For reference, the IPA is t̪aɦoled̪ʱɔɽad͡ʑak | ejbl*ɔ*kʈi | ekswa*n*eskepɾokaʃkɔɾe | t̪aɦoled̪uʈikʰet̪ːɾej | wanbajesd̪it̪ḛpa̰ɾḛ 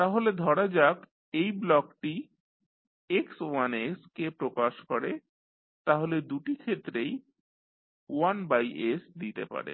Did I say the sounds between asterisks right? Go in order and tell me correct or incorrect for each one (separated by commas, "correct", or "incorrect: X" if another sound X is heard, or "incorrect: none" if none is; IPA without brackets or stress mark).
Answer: correct, correct